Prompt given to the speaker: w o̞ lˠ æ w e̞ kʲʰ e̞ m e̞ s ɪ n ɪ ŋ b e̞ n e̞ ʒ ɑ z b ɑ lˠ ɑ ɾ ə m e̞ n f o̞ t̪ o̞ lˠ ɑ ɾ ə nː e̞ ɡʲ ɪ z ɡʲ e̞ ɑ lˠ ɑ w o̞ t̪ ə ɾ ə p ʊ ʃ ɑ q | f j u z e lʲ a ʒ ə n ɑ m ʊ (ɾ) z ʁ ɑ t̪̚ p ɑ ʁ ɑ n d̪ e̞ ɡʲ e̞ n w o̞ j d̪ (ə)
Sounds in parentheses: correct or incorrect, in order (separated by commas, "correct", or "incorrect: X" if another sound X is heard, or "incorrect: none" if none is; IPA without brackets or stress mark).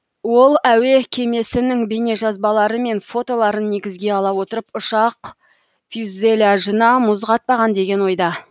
incorrect: none, incorrect: ɑ